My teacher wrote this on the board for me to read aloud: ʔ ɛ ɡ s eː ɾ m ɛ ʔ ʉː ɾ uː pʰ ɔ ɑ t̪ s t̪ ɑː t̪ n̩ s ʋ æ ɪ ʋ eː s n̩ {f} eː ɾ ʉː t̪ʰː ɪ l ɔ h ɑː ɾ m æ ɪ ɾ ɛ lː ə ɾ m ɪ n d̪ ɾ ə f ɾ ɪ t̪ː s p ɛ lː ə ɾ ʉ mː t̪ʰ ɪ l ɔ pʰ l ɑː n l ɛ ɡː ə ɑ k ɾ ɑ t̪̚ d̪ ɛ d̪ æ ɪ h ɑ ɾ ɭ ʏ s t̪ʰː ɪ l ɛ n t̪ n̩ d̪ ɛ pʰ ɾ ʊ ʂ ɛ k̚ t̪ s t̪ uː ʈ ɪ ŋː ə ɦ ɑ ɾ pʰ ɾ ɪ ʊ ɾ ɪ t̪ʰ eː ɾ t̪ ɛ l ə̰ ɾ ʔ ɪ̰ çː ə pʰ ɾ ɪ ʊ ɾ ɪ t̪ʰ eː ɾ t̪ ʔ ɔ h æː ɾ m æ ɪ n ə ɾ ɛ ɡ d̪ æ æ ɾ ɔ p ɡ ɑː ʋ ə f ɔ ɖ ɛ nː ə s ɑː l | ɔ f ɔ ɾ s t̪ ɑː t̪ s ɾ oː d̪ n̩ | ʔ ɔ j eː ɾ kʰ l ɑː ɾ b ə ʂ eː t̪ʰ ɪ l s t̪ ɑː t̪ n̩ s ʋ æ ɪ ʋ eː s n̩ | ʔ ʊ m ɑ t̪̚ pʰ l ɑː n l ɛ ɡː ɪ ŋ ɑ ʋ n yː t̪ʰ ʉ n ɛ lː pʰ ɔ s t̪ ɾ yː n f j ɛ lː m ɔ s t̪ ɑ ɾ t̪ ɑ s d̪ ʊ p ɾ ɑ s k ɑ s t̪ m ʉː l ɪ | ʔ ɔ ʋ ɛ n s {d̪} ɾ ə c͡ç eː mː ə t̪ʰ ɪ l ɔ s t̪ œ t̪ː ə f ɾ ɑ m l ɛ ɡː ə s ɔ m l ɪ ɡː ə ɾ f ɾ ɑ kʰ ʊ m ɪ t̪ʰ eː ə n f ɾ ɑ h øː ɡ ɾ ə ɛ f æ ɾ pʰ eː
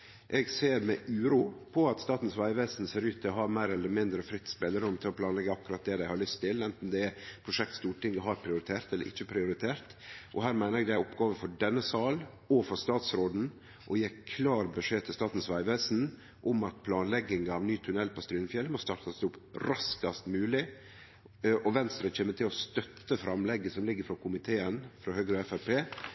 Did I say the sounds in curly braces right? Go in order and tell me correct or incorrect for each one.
incorrect: s, incorrect: t̪

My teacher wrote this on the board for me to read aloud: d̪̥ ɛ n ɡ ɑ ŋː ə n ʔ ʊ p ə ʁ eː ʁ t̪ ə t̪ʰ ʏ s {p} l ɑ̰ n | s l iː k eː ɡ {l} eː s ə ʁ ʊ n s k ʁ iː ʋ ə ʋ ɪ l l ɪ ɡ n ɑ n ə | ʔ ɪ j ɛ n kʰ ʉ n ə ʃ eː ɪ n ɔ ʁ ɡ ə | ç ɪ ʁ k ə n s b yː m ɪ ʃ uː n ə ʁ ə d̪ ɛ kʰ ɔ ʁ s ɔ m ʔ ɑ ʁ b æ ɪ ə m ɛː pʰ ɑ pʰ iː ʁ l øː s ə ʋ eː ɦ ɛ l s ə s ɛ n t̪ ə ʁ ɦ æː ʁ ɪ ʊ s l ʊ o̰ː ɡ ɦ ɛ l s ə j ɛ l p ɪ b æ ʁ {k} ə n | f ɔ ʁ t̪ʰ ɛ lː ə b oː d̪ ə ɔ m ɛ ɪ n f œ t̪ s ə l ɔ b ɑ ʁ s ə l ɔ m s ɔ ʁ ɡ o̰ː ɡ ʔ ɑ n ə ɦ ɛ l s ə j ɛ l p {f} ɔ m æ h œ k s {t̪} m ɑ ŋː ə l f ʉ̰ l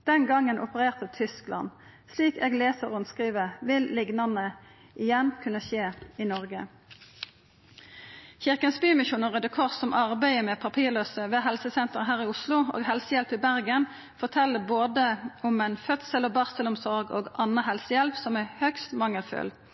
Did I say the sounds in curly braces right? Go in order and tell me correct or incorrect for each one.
incorrect: k, correct, incorrect: ɡ, incorrect: s, correct

